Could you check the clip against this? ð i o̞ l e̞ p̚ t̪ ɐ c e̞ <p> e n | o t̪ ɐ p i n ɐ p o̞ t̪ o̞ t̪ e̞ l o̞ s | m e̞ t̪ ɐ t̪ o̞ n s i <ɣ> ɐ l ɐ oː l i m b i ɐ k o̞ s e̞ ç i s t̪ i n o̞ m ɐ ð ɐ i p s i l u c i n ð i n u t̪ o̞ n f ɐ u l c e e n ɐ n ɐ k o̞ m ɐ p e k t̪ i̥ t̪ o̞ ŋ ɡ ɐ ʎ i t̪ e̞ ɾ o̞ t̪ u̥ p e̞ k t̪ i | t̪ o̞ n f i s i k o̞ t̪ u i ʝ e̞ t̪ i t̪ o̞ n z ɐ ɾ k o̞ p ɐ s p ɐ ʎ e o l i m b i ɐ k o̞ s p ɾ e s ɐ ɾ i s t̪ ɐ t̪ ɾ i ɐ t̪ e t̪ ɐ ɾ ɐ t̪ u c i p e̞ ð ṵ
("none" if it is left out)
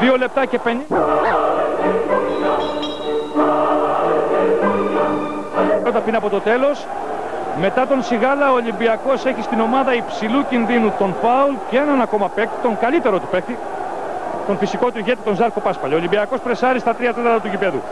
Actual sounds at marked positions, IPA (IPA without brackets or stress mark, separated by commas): p, ɣ